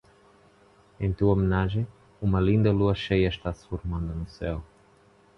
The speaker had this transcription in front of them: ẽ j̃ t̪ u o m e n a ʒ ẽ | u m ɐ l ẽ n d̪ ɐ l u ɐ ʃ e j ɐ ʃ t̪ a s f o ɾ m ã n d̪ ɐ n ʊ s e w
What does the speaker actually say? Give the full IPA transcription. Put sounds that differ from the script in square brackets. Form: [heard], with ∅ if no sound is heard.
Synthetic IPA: ẽ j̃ t̪ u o m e n a ʒ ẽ | u m ɐ l [ĩ] n d̪ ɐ l u ɐ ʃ e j ɐ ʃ t̪ a s f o ɾ m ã n d̪ ɐ n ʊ s [ɛ] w